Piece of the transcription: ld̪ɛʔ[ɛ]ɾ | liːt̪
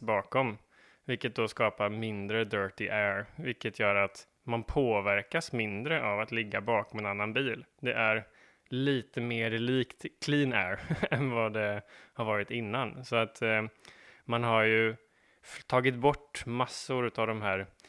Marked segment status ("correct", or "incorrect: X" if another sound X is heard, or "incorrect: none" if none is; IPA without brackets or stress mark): incorrect: æ